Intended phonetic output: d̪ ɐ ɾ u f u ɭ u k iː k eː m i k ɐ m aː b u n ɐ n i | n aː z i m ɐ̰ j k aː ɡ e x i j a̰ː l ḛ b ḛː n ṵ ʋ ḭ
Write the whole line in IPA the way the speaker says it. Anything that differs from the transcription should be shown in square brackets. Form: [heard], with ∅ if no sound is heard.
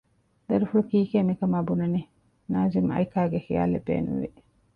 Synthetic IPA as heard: d̪ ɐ ɾ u f u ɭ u k iː k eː m i k ɐ m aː b u n ɐ n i | n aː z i m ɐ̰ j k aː ɡ e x i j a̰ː l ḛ b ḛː n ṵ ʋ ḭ